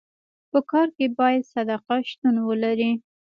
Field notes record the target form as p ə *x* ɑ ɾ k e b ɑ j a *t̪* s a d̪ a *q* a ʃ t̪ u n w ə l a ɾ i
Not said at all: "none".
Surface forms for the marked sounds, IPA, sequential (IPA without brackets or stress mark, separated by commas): k, d̪, q